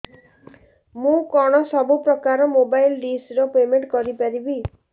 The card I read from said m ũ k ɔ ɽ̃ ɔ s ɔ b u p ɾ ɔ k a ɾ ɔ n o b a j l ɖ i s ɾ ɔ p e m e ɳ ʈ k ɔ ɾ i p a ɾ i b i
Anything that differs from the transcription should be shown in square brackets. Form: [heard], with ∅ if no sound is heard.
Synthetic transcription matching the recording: m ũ k ɔ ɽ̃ ɔ s ɔ b u p ɾ ɔ k a ɾ ɔ [m] o b a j l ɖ i s ɾ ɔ p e m e ɳ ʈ k ɔ ɾ i p a ɾ i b i